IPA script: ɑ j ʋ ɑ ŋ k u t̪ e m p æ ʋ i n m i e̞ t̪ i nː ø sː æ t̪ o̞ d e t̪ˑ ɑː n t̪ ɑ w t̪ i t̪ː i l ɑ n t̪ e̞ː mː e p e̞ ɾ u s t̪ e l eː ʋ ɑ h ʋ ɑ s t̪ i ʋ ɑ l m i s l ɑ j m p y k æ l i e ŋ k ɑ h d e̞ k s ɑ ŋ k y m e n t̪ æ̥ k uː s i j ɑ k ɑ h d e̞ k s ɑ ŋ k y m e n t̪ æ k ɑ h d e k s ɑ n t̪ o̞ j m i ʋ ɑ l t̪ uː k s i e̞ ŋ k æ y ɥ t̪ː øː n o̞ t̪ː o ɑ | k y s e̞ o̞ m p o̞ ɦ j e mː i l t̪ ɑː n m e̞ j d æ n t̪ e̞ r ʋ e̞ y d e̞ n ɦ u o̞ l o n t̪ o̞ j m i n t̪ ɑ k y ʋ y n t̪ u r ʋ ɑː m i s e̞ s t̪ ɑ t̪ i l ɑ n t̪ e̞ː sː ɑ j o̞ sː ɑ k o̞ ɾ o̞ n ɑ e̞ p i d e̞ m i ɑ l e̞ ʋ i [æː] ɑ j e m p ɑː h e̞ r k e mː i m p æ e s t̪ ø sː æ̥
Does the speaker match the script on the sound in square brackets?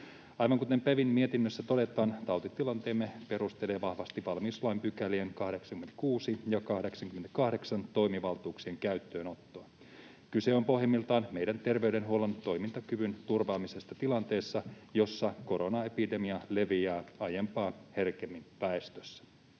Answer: yes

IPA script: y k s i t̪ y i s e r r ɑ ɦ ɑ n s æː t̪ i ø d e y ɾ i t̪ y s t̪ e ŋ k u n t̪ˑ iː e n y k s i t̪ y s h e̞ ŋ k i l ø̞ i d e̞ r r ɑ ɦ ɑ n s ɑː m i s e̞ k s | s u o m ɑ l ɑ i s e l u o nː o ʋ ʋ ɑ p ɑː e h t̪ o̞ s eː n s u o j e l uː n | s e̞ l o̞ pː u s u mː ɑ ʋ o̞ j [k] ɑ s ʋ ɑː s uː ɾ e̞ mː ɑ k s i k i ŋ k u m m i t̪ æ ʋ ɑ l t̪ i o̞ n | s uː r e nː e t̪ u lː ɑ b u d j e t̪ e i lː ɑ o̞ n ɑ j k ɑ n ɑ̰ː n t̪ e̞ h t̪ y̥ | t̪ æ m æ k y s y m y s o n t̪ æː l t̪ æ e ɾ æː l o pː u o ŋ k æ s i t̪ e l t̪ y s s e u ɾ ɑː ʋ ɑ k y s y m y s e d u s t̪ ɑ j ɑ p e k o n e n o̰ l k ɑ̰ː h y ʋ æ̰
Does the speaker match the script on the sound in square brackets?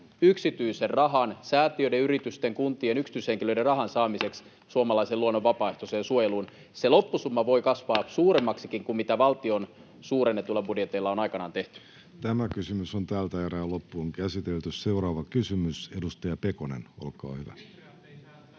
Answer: yes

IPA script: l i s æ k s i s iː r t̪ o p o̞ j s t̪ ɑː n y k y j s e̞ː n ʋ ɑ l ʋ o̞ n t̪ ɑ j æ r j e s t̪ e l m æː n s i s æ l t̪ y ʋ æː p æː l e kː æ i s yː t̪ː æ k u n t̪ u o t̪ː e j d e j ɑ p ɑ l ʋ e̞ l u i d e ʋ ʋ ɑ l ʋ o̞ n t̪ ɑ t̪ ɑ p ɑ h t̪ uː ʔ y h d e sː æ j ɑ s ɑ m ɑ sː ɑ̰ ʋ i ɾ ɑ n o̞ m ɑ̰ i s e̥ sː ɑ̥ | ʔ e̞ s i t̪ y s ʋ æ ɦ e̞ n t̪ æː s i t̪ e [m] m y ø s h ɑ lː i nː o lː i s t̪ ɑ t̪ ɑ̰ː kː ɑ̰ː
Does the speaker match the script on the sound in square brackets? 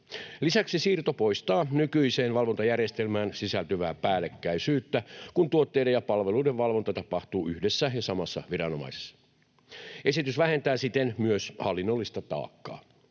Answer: no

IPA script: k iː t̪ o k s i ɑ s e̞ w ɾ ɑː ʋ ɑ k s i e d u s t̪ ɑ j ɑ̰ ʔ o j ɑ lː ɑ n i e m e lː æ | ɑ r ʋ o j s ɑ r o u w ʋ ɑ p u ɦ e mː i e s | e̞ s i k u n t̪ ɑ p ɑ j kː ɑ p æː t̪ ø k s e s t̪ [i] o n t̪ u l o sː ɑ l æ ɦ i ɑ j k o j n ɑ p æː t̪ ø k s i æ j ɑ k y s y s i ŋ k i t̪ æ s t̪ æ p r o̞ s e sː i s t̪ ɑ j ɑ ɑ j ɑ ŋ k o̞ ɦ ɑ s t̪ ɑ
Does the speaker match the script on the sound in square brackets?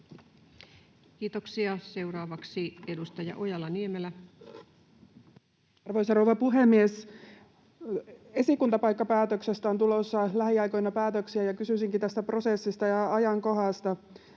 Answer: no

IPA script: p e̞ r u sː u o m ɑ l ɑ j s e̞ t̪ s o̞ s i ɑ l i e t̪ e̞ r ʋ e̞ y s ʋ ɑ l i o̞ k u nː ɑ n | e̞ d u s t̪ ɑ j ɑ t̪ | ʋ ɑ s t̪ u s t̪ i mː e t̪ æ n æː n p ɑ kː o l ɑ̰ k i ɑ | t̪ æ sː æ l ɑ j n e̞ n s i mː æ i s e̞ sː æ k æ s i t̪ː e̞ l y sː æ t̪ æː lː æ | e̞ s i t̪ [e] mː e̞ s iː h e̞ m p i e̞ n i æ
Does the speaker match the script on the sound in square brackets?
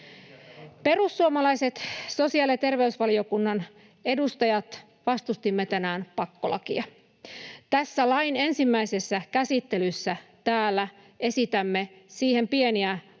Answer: no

